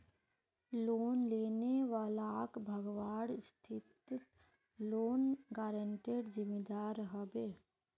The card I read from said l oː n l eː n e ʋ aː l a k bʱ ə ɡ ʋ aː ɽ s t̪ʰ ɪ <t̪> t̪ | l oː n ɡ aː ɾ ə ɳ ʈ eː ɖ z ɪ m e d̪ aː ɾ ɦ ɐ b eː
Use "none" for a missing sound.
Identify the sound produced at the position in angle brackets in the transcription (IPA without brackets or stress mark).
t̪